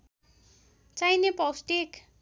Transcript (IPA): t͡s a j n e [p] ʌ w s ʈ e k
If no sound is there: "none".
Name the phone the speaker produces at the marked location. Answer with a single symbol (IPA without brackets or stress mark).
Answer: p